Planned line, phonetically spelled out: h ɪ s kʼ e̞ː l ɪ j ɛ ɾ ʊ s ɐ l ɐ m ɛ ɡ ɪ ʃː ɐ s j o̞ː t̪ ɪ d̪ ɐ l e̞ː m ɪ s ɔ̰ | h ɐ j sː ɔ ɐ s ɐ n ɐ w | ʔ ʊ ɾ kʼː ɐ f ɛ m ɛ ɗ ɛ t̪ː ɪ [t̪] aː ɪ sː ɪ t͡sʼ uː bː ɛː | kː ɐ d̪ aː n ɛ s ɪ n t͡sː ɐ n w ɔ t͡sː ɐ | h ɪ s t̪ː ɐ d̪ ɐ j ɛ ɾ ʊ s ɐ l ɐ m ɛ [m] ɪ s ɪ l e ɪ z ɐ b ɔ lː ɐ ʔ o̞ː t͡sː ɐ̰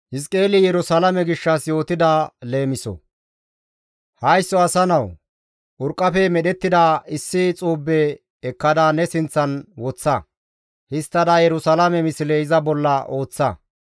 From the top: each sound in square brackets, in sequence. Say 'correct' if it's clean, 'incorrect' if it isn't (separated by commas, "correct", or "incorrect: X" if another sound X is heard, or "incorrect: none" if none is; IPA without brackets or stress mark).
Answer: incorrect: d̪, correct